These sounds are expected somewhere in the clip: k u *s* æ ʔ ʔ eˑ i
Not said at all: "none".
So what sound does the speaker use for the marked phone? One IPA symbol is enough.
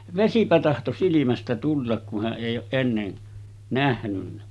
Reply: h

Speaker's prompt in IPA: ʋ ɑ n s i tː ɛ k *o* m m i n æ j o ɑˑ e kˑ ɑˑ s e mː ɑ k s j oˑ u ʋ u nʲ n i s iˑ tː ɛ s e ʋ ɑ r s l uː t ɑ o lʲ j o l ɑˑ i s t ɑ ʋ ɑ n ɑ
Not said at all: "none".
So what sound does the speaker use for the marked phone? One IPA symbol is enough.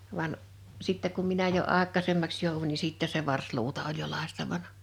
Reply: u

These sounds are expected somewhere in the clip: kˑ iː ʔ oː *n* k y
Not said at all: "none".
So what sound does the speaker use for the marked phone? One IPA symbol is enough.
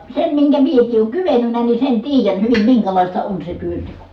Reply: ŋ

